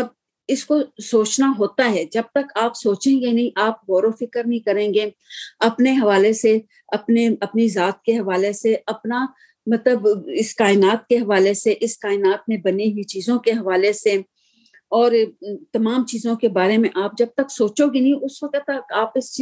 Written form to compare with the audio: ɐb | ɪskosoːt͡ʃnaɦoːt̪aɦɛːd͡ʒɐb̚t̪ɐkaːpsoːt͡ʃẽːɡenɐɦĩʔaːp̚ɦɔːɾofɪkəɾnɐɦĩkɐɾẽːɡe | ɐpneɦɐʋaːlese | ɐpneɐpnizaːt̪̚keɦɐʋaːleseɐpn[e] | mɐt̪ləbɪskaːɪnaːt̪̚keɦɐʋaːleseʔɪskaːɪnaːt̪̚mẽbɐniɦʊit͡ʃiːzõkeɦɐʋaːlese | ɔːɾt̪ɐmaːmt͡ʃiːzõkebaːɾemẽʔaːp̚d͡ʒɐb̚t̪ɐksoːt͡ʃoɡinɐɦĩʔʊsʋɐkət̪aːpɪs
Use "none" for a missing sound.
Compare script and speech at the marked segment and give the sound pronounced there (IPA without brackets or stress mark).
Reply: a